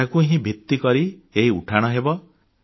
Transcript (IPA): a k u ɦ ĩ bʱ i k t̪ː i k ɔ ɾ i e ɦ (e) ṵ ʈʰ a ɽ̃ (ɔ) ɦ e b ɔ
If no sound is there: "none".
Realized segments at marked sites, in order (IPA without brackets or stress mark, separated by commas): i, ɔ